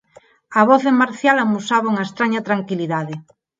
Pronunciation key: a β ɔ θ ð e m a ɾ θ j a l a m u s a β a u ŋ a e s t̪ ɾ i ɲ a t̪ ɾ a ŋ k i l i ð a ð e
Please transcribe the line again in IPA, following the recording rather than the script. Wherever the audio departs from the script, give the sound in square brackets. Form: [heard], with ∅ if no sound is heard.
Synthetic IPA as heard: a β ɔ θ ð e m a ɾ θ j a l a m u s a β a u ŋ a e s t̪ ɾ [a] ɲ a t̪ ɾ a ŋ k i l i ð a ð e